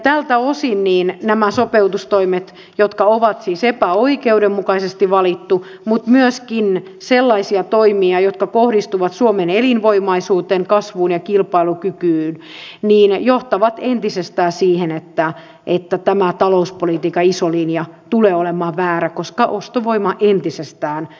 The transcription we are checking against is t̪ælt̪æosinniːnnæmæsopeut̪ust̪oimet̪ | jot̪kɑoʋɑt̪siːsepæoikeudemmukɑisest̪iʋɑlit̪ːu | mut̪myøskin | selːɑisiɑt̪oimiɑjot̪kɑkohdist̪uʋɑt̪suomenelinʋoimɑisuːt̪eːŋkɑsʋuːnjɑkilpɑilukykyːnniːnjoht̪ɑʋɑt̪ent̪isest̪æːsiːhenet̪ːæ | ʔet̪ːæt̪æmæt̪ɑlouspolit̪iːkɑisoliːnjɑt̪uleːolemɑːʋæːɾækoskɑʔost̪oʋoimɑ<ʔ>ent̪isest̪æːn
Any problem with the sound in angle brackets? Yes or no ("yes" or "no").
no